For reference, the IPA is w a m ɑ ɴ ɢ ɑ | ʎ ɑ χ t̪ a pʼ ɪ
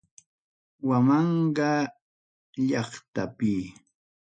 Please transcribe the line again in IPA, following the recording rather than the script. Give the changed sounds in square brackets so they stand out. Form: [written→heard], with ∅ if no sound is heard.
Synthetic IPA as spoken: w a m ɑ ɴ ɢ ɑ | ʎ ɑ χ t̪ a [pʼ→p] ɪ